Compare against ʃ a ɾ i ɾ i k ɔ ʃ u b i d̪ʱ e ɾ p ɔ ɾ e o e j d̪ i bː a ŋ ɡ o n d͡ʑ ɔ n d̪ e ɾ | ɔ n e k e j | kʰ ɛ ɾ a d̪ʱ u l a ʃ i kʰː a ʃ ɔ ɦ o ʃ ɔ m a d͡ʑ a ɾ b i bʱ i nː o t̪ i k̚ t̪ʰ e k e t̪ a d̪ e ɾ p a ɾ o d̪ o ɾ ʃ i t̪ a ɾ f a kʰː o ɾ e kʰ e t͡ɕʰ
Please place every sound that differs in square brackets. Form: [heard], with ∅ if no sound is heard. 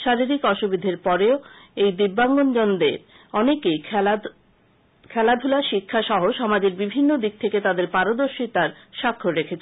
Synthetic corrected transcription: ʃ a ɾ i ɾ i k ɔ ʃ u b i d̪ʱ e ɾ p ɔ ɾ e o e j d̪ i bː a ŋ ɡ o n d͡ʑ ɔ n d̪ e ɾ | ɔ n e k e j | kʰ ɛ [l] a d̪ʱ u l a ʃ i kʰː a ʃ ɔ ɦ o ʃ ɔ m a d͡ʑ [e] ɾ b i bʱ i nː o [d̪] i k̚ t̪ʰ e k e t̪ a d̪ e ɾ p a ɾ o d̪ o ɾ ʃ i t̪ a ɾ [ʃ] a kʰː o ɾ e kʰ e t͡ɕʰ